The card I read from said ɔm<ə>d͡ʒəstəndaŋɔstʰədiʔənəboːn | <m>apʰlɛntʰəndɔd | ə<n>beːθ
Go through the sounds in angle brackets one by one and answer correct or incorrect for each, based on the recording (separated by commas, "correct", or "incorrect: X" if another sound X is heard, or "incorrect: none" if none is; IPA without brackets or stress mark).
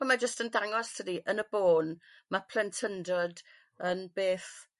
incorrect: a, correct, correct